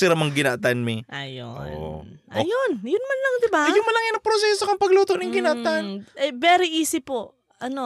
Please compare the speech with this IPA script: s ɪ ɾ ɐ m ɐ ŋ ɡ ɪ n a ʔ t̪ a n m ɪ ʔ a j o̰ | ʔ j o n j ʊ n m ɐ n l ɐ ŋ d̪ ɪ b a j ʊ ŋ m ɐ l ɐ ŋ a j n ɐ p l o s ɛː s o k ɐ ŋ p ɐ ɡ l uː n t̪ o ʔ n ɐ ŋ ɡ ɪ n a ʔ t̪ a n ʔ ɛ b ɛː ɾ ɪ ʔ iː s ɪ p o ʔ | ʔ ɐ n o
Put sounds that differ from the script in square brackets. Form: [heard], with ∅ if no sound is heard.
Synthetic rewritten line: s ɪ ɾ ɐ m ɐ ŋ ɡ ɪ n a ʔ t̪ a n m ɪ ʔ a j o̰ | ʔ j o n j ʊ n m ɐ n l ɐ ŋ d̪ ɪ b a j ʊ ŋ m ɐ l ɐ ŋ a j n ɐ p [ɾ] o s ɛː s o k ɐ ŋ p ɐ ɡ l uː [∅] t̪ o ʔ n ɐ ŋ ɡ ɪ n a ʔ t̪ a n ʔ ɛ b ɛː ɾ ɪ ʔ iː s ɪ p o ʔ | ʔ ɐ n o